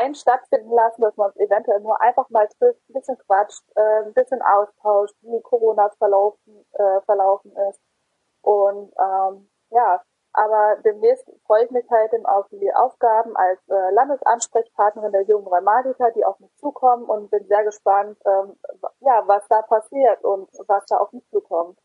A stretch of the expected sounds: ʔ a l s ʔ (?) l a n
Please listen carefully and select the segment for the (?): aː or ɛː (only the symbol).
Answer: ɛː